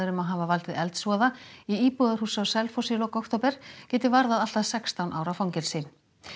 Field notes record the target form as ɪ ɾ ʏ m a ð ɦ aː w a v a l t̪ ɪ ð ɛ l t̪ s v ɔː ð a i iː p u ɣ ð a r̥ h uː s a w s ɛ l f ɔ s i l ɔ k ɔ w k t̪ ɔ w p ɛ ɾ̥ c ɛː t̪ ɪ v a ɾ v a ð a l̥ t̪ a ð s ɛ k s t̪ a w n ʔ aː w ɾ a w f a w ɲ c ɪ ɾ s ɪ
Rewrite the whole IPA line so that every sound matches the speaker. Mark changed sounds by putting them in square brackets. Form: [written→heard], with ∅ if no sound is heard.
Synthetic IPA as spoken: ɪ ɾ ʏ m a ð ɦ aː [w→v] a v a l t̪ ɪ ð ɛ l t̪ s v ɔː ð a i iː p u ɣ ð a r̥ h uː s a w s ɛ l f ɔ s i l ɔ k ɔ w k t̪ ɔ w p ɛ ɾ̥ c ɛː t̪ ɪ v a ɾ [v→ð] a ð a l̥ t̪ a ð s ɛ k s t̪ a w n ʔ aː w ɾ a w f a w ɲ c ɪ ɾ s ɪ